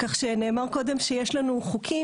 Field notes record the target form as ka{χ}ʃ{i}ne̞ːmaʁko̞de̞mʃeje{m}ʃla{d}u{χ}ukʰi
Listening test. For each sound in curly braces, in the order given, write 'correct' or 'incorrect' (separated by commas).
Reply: correct, incorrect, incorrect, incorrect, correct